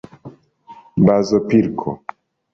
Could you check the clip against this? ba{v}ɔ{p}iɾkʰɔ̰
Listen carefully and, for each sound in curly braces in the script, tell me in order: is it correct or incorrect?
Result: incorrect: z, correct

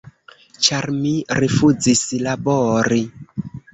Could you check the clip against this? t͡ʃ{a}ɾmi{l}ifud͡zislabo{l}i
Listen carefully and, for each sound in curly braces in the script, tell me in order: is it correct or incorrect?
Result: correct, incorrect: ɾ, incorrect: ɾ

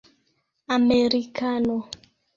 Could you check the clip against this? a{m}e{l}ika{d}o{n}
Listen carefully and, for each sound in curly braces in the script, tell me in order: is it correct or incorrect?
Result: correct, incorrect: ɾ, incorrect: n, incorrect: none

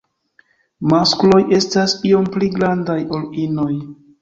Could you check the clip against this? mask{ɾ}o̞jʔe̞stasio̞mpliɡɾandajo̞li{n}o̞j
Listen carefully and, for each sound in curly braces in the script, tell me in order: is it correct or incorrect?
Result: incorrect: l, correct

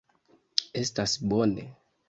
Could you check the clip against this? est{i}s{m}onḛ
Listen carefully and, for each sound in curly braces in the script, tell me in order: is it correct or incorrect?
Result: incorrect: a, incorrect: b

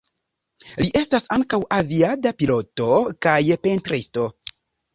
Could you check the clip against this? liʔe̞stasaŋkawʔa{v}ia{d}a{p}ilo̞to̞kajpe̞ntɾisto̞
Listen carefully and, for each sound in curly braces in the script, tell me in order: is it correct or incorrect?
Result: correct, correct, correct

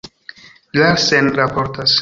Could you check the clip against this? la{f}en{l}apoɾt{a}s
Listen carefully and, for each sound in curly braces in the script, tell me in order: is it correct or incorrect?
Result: incorrect: s, incorrect: ɾ, correct

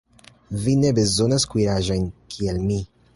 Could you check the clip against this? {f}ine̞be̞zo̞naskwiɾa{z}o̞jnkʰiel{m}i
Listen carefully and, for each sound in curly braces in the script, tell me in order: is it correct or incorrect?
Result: incorrect: v, incorrect: ʒ, correct

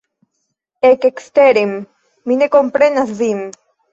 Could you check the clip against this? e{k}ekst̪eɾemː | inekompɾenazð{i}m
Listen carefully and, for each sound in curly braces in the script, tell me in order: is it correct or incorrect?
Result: correct, correct

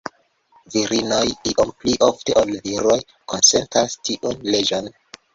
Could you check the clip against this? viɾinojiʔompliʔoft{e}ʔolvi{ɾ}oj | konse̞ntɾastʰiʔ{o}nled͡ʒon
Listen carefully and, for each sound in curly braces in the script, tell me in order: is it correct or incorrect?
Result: correct, correct, incorrect: u

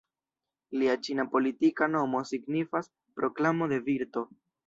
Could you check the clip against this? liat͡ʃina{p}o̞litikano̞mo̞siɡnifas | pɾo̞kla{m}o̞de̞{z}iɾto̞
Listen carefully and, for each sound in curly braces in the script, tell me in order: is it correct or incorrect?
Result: correct, correct, incorrect: v

